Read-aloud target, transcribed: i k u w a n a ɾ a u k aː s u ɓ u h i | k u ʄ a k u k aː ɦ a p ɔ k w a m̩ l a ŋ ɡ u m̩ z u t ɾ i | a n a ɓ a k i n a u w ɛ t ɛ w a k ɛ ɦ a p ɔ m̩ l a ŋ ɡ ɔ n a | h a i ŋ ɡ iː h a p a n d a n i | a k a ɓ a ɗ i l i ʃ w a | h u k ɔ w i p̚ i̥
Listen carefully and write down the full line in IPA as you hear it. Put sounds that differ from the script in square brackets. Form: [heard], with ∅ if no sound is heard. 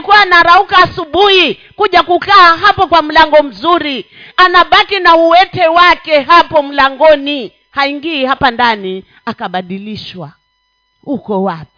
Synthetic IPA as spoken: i k u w a n a ɾ a u k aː s u ɓ u h i | k u ʄ a k u k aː ɦ a p ɔ k w a m̩ l a ŋ ɡ [ɔ] m̩ z u [∅] ɾ i | a n a ɓ a k i n a u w ɛ t ɛ w a k ɛ ɦ a p ɔ m̩ l a ŋ ɡ ɔ n [i] | h a i ŋ ɡ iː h a p a n d a n i | a k a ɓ a ɗ i l i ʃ w a | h u k ɔ w [a] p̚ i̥